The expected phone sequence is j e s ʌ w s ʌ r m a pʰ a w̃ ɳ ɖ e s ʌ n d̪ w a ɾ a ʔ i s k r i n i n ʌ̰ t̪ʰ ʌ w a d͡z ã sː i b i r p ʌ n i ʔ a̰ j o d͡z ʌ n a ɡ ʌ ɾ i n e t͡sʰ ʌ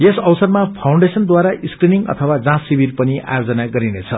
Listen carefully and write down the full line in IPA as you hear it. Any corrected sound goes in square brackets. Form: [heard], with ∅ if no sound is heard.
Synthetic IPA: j e s ʌ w s ʌ r m a pʰ a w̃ ɳ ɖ e s ʌ n d̪ w a ɾ a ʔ i s k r i n i [ŋ] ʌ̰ t̪ʰ ʌ w a d͡z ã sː i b i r p ʌ n i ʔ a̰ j o d͡z ʌ n a ɡ ʌ ɾ i n e t͡sʰ ʌ